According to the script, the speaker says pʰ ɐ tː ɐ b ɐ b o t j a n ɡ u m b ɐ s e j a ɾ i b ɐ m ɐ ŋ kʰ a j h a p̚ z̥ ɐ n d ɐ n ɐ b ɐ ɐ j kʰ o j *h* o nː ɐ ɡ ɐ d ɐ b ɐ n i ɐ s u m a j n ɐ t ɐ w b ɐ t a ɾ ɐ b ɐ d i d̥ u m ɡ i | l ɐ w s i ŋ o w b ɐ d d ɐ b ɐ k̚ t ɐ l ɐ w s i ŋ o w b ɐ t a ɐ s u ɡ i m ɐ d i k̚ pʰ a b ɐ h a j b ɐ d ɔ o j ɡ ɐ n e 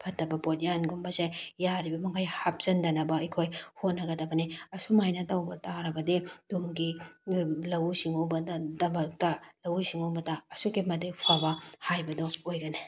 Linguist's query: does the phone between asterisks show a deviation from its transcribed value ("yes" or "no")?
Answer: no